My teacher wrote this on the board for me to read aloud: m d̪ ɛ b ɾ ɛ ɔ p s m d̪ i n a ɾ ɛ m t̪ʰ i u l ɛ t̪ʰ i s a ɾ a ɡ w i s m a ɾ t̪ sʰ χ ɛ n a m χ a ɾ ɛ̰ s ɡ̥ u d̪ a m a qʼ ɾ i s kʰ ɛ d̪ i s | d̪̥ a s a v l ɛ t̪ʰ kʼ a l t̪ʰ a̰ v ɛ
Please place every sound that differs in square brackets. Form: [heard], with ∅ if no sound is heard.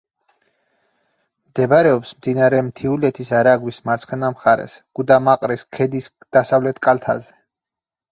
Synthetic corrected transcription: m d̪ ɛ b ɾ ɛ ɔ p s m d̪ i n a ɾ ɛ m t̪ʰ i u l ɛ t̪ʰ i s a ɾ a ɡ w i s m a ɾ t̪ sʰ χ ɛ n a m χ a ɾ ɛ̰ s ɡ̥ u d̪ a m a qʼ ɾ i s kʰ ɛ d̪ i s | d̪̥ a s a v l ɛ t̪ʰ kʼ a l t̪ʰ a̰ [z] ɛ